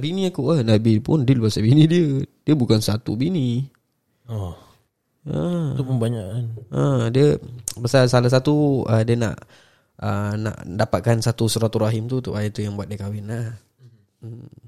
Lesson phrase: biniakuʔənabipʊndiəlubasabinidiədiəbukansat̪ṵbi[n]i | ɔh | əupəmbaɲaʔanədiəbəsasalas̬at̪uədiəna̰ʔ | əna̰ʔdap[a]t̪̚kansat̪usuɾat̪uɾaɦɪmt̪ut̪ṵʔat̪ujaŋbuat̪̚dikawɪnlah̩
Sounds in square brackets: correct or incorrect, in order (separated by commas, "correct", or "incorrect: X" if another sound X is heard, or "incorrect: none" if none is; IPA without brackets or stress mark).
correct, correct